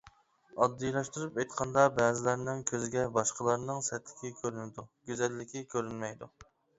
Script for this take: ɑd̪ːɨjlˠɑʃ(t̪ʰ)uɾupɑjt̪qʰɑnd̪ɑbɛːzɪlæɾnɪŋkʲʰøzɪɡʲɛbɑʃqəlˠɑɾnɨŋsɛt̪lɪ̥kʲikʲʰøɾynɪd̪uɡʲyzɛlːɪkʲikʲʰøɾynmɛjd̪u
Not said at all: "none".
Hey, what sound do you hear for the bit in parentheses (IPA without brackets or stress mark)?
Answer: t̪